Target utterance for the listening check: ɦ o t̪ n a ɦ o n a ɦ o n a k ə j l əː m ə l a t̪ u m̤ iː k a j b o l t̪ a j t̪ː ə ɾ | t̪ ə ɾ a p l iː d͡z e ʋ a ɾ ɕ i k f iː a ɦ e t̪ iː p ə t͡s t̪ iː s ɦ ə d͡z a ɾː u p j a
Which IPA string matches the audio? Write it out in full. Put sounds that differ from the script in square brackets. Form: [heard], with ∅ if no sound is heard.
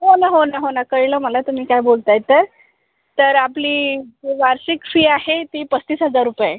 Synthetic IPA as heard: ɦ o [∅] n a ɦ o n a ɦ o n a k ə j l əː m ə l a t̪ u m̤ iː k a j b o l t̪ a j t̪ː ə ɾ | t̪ ə ɾ a p l iː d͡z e ʋ a ɾ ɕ i k f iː a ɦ e t̪ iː p ə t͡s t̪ iː s ɦ ə d͡z a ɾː u p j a